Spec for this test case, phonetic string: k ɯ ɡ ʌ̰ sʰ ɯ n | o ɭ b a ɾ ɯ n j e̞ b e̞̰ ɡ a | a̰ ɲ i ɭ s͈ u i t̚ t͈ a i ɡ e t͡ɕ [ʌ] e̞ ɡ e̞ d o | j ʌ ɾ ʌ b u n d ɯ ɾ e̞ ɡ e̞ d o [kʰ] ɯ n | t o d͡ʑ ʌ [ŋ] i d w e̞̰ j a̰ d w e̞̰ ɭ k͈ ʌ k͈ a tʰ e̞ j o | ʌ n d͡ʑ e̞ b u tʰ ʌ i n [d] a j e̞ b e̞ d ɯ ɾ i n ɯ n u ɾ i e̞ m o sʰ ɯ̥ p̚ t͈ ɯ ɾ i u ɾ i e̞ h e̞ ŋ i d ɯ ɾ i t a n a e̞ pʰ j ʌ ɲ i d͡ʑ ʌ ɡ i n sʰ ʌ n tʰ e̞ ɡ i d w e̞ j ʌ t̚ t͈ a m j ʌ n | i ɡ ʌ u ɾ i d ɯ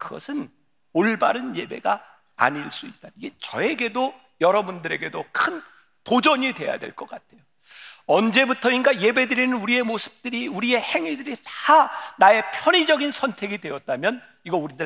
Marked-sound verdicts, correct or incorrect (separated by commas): correct, correct, incorrect, incorrect